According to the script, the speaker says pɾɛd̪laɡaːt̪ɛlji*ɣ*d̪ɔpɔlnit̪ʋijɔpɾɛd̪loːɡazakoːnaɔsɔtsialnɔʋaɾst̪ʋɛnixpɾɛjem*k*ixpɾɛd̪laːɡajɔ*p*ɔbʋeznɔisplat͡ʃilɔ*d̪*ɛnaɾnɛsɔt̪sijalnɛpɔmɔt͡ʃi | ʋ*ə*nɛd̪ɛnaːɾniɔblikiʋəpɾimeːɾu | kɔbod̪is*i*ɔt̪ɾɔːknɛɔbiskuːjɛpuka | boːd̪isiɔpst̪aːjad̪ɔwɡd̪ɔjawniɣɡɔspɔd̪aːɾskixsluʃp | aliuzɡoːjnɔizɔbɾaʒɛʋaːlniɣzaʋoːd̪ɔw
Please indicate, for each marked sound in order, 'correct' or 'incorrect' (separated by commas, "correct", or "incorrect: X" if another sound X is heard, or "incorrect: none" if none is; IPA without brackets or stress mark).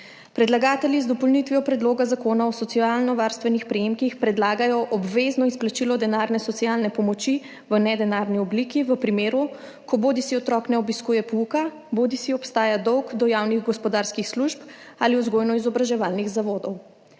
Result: incorrect: z, correct, incorrect: ʔ, correct, correct, correct